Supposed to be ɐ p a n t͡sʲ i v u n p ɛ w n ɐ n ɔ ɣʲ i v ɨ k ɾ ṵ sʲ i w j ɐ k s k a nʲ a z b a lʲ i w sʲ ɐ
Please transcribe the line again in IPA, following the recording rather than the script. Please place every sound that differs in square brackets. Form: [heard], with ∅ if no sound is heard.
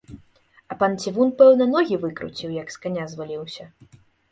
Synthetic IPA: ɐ p a n t͡sʲ i v u n p ɛ w n ɐ n ɔ ɣʲ i v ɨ k ɾ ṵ [t͡sʲ] i w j ɐ k s k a nʲ a z [v] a lʲ i w sʲ ɐ